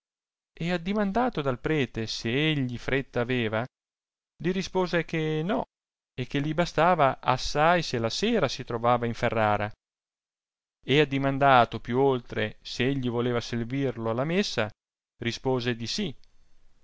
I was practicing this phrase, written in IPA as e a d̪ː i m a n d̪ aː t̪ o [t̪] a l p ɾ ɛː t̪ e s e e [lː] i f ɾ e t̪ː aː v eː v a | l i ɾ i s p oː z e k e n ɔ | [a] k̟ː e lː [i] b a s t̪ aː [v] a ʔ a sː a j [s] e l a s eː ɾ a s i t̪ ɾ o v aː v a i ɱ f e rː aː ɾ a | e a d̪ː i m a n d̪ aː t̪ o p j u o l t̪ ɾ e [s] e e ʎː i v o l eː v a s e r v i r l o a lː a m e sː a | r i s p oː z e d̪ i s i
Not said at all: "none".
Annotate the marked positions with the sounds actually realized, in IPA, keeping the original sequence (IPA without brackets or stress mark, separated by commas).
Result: d̪, ʎː, e, i, v, s, s